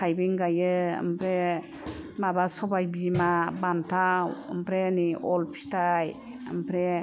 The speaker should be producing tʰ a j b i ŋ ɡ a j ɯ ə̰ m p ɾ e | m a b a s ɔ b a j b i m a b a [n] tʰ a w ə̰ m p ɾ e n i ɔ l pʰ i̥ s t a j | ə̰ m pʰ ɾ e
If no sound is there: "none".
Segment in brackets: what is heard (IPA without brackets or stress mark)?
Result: n